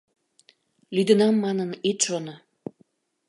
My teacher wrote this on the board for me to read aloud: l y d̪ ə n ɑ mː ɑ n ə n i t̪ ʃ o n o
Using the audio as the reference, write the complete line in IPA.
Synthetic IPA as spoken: l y d̪ ə n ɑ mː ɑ n ə n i t̪ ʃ o n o